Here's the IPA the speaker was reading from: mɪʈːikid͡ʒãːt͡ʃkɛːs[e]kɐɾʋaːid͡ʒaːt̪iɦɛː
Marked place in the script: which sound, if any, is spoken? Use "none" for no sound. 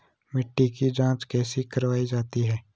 i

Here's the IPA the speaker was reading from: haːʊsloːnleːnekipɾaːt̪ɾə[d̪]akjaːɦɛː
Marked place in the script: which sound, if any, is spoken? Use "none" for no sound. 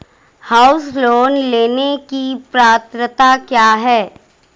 t̪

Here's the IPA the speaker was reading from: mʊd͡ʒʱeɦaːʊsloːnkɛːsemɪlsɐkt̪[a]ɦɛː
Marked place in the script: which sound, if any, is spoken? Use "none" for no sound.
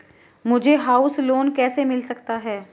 a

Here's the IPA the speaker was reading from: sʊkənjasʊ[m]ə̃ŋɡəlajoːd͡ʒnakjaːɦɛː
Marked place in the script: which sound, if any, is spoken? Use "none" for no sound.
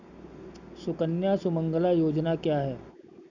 m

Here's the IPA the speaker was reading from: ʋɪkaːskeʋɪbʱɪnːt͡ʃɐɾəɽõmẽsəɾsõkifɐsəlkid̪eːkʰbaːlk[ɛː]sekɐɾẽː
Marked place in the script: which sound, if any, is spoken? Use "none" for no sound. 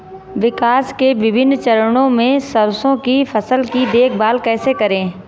ɛː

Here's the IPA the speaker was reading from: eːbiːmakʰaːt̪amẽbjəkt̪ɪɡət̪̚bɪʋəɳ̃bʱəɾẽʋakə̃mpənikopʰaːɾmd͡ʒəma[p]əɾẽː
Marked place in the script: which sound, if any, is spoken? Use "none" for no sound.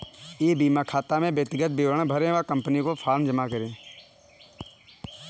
k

